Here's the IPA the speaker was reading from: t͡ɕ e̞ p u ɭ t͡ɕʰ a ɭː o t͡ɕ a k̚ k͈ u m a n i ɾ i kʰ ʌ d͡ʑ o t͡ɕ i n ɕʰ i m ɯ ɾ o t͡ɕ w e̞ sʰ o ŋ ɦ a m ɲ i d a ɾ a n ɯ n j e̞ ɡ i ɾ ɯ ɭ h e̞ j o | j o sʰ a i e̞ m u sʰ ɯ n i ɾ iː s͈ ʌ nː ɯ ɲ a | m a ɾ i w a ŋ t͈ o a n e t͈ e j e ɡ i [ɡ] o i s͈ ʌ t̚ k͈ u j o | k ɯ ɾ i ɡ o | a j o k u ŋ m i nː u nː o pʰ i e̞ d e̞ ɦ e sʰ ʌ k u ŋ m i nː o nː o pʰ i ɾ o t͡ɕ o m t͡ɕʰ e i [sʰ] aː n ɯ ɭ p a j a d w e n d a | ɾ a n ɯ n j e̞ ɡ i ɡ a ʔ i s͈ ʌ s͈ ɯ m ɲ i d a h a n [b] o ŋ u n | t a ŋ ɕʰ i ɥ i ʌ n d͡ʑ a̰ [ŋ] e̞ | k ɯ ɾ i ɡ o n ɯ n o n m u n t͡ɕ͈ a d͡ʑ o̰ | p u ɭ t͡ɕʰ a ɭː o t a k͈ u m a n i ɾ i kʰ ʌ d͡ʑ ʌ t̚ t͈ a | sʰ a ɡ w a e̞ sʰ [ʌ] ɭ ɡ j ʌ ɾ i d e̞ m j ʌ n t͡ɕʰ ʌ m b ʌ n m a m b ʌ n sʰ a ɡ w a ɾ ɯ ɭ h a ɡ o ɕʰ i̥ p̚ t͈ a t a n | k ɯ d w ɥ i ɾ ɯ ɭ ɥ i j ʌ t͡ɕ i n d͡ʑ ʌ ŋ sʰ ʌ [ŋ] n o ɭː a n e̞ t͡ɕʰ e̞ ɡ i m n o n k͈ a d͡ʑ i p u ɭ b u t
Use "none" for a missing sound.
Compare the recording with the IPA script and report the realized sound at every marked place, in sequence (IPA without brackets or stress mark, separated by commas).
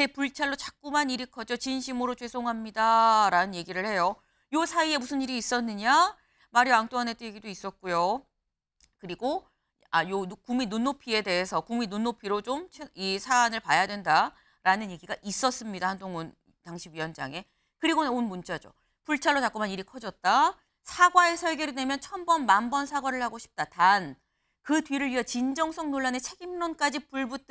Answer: d, sʰ, d, ŋ, ʌ, ŋ